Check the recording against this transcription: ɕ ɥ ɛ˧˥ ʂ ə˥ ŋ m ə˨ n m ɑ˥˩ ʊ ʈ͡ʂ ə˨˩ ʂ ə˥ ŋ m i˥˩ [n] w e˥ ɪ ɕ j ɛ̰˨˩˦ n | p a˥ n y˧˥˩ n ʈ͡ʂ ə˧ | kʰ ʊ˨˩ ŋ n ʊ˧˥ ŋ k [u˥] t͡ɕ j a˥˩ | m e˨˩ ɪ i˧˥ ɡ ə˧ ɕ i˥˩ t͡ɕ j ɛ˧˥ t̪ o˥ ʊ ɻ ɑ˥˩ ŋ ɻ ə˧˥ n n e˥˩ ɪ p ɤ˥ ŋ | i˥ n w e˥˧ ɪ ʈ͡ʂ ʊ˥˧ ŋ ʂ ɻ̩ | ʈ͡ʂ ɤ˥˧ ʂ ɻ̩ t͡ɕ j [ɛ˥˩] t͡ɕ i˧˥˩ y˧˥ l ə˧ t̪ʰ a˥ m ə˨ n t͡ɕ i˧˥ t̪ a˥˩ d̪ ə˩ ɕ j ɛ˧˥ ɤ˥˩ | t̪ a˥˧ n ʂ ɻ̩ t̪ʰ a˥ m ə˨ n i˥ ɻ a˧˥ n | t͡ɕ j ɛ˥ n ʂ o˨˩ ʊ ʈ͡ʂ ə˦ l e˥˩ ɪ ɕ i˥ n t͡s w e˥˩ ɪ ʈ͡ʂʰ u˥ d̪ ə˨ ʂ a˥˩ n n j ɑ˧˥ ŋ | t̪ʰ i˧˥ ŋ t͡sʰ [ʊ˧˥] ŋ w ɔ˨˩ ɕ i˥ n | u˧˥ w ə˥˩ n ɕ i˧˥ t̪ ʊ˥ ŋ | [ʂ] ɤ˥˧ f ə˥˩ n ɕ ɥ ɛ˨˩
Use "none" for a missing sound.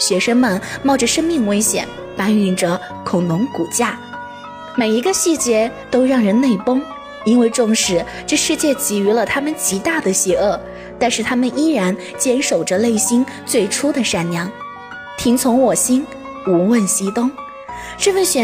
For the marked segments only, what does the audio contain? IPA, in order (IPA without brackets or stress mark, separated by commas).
ŋ, u˨˩, ɛ˥˩, ʊ˧˥, ʈ͡ʂ